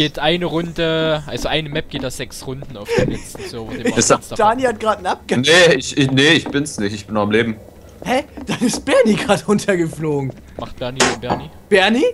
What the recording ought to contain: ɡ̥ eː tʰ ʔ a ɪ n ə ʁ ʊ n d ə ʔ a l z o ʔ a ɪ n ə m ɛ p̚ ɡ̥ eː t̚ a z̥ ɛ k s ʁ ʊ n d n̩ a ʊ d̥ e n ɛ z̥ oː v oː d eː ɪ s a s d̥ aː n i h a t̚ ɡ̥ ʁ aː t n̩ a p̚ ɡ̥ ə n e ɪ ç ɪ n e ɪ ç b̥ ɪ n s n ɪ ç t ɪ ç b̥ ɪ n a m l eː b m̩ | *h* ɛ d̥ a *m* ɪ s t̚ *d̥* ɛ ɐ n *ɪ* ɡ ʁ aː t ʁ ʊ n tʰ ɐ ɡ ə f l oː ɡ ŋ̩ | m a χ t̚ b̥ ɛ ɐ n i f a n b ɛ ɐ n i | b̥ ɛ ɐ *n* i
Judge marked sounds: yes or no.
yes, no, no, no, yes

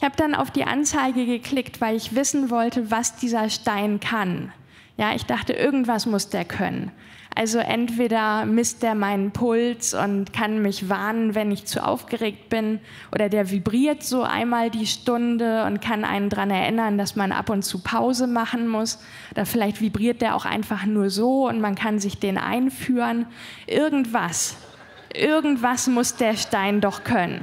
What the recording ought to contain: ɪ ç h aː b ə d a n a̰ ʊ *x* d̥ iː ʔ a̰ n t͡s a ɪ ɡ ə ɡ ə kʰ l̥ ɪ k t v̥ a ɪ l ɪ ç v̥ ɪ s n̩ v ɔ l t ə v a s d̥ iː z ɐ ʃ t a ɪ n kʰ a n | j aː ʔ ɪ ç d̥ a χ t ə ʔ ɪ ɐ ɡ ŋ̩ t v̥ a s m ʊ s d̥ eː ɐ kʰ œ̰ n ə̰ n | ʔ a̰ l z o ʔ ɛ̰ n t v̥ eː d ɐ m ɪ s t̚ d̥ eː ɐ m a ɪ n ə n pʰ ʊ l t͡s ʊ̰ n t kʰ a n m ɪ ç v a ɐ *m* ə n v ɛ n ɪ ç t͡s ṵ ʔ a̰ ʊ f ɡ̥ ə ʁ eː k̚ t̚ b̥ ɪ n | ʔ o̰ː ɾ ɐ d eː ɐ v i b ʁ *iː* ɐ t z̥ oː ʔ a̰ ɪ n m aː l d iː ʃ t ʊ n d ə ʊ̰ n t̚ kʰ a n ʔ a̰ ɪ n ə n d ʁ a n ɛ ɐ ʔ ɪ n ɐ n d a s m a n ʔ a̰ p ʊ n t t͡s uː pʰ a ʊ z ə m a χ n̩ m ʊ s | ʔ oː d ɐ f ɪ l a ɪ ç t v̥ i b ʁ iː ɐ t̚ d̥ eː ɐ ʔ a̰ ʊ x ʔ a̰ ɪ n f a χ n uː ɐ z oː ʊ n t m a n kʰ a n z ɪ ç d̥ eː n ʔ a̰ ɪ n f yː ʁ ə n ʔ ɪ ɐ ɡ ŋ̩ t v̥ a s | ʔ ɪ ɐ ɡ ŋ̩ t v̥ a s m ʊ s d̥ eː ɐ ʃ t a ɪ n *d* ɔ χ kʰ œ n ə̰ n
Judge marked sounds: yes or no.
no, no, yes, yes

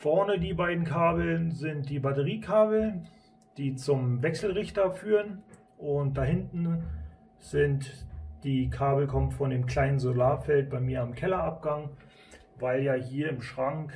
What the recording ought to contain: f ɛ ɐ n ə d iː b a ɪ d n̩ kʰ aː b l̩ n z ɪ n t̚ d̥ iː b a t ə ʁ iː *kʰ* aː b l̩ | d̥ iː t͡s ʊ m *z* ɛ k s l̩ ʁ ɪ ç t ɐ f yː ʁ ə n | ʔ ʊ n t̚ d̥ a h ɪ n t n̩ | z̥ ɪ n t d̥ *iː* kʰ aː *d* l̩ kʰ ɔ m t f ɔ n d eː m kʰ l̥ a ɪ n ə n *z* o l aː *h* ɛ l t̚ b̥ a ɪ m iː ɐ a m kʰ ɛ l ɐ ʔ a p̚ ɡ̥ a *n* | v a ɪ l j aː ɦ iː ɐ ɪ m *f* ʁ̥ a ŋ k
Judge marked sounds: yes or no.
yes, no, yes, no, yes, no, no, no

